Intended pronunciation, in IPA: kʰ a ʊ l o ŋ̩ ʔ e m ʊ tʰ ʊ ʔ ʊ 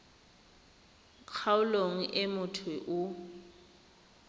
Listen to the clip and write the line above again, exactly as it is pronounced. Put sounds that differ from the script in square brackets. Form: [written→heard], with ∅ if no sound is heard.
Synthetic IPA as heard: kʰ a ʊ l o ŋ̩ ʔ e m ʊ tʰ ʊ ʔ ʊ